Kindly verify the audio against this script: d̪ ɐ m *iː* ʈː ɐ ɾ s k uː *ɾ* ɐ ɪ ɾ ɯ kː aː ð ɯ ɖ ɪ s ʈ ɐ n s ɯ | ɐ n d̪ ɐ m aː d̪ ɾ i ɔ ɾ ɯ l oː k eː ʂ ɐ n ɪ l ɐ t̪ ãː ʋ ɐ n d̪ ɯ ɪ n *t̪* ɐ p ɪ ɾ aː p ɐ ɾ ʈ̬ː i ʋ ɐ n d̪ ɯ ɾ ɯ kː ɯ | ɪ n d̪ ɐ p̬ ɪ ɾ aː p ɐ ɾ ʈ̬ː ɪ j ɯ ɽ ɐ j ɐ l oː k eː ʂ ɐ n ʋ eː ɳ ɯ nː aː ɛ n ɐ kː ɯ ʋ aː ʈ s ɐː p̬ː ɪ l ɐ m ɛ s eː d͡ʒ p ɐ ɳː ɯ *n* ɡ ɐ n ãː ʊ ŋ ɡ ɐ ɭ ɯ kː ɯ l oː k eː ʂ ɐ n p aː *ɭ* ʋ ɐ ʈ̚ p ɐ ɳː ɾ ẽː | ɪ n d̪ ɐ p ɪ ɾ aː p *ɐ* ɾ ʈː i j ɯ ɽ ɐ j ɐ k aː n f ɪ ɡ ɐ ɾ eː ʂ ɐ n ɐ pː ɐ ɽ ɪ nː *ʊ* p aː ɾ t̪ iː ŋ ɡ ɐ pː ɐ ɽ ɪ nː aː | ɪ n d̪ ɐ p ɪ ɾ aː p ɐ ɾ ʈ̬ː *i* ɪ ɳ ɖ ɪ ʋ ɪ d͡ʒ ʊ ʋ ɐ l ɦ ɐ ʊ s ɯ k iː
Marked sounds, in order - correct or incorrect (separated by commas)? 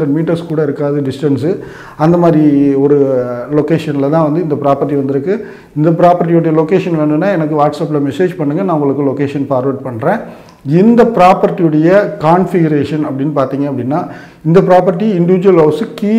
correct, incorrect, incorrect, incorrect, incorrect, correct, incorrect, correct